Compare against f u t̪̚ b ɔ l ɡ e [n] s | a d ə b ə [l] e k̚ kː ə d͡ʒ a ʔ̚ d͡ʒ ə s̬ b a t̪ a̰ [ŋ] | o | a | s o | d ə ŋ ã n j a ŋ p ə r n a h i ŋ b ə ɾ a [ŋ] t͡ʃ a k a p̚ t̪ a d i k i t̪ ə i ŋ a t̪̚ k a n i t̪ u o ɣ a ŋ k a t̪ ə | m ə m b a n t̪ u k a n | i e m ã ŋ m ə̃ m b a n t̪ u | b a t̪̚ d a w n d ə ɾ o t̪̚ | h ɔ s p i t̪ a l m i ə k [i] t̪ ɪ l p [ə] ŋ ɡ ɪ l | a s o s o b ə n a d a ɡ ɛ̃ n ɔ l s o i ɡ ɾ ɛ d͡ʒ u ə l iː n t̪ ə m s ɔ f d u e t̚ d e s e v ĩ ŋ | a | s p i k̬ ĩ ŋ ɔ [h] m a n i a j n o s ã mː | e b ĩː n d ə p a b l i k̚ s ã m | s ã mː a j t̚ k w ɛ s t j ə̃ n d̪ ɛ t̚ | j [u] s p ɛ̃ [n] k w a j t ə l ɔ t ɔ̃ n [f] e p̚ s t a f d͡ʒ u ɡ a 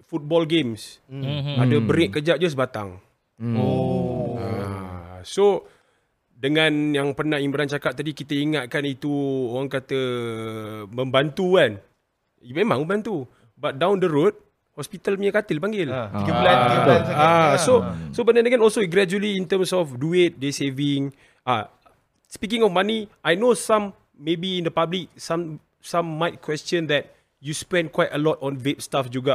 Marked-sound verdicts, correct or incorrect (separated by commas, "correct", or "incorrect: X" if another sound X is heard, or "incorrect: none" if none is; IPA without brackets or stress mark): incorrect: m, incorrect: ɾ, correct, incorrect: n, incorrect: a, incorrect: a, incorrect: f, correct, correct, incorrect: v